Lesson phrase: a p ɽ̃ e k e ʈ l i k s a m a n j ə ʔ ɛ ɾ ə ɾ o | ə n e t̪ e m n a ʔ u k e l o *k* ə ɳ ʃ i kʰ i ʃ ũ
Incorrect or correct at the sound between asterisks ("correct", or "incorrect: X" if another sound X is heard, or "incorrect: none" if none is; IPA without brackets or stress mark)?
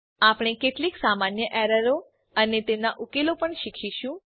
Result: incorrect: p